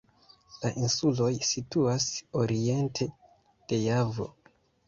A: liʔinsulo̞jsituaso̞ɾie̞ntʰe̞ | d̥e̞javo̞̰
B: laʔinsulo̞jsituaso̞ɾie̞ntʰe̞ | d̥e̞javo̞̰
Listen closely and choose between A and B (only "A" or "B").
B